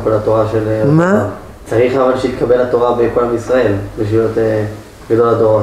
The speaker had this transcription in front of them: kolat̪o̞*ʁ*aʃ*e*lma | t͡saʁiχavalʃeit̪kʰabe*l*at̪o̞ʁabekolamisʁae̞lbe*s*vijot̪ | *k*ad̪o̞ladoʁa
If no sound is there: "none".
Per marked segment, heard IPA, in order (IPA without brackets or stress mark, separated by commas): ʁ, e, l, ʃ, ɡ